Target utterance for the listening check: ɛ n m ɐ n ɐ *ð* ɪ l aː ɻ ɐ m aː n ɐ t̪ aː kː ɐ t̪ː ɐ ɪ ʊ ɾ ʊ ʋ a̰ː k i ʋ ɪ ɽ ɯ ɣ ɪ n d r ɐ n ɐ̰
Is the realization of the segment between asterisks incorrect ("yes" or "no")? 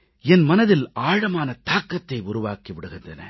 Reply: no